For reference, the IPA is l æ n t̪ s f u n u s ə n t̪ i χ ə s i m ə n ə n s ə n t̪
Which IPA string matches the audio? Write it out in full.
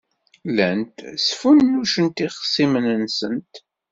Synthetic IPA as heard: l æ n t̪ s f u nː u ʃ ə n t̪ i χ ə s i m ə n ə n s ə n t̪